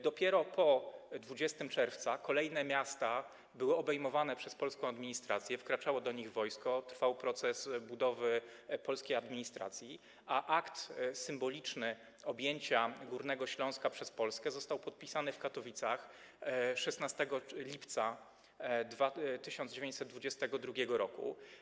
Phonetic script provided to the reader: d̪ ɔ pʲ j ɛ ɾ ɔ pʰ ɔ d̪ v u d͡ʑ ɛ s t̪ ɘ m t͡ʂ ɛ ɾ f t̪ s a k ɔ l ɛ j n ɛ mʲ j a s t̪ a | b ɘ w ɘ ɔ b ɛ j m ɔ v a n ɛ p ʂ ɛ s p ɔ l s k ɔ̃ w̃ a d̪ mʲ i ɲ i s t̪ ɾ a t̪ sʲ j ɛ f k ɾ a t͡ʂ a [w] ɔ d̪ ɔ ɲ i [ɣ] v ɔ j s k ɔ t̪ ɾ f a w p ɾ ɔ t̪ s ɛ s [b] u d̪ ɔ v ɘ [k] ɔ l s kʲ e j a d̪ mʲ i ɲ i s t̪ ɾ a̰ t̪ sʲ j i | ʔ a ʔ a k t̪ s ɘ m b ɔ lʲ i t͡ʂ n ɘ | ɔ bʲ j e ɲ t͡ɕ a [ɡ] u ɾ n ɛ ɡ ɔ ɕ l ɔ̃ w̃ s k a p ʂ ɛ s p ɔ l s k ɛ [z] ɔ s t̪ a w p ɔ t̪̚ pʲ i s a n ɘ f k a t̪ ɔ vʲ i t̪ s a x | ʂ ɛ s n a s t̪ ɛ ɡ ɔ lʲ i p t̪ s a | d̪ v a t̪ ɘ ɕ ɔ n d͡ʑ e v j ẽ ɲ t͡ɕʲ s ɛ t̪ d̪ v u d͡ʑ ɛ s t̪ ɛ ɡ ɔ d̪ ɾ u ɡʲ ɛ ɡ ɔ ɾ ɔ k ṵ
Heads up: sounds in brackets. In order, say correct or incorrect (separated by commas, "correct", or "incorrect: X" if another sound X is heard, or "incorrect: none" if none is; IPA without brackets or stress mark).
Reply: correct, correct, correct, incorrect: p, correct, correct